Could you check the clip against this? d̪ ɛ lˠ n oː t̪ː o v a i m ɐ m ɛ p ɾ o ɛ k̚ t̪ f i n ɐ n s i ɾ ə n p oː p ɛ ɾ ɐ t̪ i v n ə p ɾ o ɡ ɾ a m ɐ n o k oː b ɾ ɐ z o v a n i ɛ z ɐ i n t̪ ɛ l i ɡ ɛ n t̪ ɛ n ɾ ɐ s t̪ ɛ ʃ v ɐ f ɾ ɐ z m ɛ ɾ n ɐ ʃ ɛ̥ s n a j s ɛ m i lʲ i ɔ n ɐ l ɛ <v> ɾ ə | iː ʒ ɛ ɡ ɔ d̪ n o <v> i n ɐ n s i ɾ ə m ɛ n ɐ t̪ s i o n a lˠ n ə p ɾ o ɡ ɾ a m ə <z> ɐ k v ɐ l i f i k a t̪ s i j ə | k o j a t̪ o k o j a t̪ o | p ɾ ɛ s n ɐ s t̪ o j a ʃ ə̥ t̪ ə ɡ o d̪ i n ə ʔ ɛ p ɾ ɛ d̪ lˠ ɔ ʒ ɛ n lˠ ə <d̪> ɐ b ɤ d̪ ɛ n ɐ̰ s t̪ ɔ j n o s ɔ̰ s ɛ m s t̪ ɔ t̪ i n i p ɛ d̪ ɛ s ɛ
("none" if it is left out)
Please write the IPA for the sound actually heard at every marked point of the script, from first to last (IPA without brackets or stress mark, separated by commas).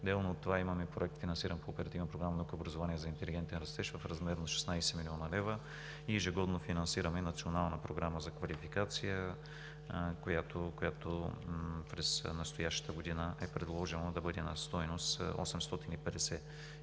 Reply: v, f, z, d̪